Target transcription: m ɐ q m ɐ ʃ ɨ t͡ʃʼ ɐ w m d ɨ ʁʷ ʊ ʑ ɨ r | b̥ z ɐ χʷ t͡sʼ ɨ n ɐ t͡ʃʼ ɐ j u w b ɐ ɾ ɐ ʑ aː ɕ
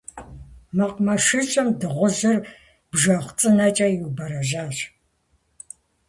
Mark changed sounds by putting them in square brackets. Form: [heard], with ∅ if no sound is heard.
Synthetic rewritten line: m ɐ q m ɐ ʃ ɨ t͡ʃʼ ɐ [∅] m d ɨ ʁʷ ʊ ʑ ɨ r | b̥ [ʒ] ɐ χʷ t͡sʼ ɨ n ɐ t͡ʃʼ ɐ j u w b ɐ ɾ ɐ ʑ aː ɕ

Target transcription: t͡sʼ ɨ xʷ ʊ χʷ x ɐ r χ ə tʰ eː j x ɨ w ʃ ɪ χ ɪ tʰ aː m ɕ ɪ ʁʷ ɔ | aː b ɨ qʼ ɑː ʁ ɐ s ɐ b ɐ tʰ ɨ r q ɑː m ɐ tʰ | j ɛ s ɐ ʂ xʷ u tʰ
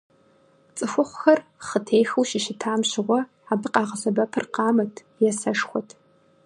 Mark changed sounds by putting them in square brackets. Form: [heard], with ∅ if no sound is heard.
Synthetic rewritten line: t͡sʼ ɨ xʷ ʊ χʷ x ɐ r χ ə tʰ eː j x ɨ w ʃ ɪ [ʃ] ɪ tʰ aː m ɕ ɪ ʁʷ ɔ | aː b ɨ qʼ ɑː ʁ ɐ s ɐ b ɐ [pʰ] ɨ r q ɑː m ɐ tʰ | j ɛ s ɐ ʂ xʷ [ɔ] tʰ

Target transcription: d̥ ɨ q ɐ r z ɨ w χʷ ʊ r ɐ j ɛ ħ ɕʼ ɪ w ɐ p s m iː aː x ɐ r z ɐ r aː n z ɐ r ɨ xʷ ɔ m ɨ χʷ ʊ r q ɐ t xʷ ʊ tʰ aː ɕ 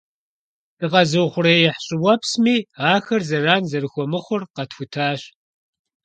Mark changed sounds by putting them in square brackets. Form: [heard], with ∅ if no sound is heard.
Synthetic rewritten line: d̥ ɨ q ɐ [∅] z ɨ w χʷ ʊ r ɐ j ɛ ħ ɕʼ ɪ w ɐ p s m iː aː x ɐ r z ɐ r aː n z ɐ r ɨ xʷ ɔ m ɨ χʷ ʊ r q ɐ t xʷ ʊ tʰ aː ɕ

